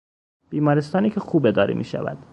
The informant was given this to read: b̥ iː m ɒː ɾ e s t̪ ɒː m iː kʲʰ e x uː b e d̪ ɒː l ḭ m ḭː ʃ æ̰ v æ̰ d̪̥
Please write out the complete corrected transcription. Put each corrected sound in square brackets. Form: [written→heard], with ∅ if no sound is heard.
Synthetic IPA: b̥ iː m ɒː ɾ e s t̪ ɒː [m→n] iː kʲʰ e x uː b e d̪ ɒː [l→ɾ] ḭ m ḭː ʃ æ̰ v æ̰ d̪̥

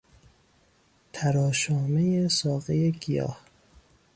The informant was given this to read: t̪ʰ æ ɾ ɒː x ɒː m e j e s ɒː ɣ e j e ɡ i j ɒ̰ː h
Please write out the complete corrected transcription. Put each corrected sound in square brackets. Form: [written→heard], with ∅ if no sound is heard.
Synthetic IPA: t̪ʰ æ ɾ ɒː [x→ʃ] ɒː m e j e s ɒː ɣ e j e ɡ i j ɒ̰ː h

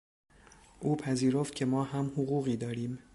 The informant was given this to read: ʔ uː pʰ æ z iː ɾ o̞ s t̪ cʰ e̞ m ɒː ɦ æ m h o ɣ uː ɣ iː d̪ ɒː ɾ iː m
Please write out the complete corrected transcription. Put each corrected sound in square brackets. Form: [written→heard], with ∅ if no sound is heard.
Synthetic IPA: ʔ uː pʰ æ z iː ɾ o̞ [s→f] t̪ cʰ e̞ m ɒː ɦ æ m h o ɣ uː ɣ iː d̪ ɒː ɾ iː m

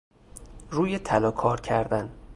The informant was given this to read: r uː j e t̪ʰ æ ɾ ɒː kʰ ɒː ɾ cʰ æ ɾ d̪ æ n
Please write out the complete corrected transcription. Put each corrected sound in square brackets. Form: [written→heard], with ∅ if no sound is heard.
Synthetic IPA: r uː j e t̪ʰ æ [ɾ→l] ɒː kʰ ɒː ɾ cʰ æ ɾ d̪ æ n

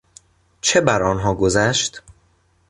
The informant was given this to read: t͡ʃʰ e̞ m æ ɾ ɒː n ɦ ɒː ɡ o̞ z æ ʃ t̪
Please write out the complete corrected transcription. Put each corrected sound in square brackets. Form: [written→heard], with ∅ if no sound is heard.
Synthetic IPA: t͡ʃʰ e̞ [m→b] æ ɾ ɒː n ɦ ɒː ɡ o̞ z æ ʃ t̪

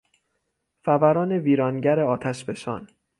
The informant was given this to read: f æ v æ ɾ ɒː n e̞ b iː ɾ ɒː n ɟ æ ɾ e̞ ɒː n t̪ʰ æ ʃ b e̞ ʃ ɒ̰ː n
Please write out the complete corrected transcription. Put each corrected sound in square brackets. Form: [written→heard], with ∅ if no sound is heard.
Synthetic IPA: f æ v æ ɾ ɒː n e̞ [b→v] iː ɾ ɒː n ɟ æ ɾ e̞ ɒː [n→∅] t̪ʰ æ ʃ b e̞ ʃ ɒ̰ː n

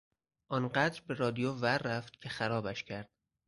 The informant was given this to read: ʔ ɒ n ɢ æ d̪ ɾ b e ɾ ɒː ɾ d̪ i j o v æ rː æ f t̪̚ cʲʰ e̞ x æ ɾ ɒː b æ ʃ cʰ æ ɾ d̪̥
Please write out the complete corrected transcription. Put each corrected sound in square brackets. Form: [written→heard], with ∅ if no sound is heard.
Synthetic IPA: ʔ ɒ n ɢ æ d̪ ɾ b e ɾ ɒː [ɾ→∅] d̪ i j o v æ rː æ f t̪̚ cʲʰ e̞ x æ ɾ ɒː b æ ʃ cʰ æ ɾ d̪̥

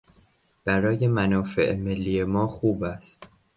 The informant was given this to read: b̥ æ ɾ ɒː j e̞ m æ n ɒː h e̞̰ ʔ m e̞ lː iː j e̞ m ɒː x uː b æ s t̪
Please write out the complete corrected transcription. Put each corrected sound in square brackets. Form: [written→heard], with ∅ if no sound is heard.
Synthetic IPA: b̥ æ ɾ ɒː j e̞ m æ n ɒː [h→f] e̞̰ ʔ m e̞ lː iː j e̞ m ɒː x uː b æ s t̪

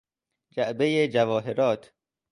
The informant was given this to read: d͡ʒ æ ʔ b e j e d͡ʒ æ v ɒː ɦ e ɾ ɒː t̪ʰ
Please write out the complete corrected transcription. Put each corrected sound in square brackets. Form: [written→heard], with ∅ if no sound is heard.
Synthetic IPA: d͡ʒ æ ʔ b e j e d͡ʒ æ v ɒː ɦ e ɾ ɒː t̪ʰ

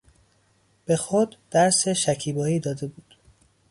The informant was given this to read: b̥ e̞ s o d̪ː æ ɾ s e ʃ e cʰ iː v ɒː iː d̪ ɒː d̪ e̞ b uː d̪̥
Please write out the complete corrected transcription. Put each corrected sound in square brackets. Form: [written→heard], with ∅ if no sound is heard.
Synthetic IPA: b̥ e̞ [s→x] o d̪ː æ ɾ s e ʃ [e→æ] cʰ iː [v→b] ɒː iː d̪ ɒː d̪ e̞ b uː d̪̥

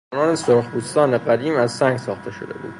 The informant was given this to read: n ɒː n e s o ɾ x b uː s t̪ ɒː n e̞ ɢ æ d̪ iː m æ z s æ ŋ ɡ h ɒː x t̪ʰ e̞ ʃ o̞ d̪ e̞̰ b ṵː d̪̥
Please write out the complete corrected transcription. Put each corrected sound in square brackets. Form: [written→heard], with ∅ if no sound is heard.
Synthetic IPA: n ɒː n e s o ɾ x b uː s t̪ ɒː n e̞ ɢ æ d̪ iː m æ z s æ ŋ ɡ [h→s] ɒː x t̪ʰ e̞ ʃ o̞ d̪ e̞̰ b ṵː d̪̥

